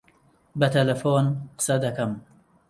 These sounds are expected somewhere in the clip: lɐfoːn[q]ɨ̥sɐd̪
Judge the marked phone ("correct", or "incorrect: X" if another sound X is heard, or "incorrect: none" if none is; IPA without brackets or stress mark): correct